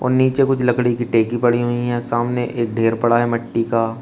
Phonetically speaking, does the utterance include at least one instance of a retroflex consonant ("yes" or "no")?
yes